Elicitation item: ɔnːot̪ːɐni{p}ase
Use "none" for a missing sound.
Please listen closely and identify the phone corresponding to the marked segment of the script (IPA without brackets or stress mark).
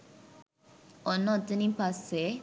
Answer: p